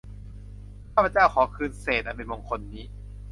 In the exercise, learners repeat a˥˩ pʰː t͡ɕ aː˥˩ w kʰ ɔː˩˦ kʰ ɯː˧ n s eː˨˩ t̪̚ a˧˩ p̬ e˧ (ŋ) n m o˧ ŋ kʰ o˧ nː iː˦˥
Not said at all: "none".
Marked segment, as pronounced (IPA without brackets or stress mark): none